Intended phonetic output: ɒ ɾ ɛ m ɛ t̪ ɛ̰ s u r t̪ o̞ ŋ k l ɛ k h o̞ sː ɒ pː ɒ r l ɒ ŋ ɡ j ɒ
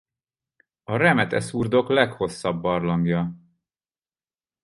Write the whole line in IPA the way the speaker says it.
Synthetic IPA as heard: ɒ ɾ ɛ m ɛ t̪ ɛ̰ s u r d̪ o̞ k l ɛ k h o̞ sː ɒ bː ɒ r l ɒ ŋ ɡ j ɒ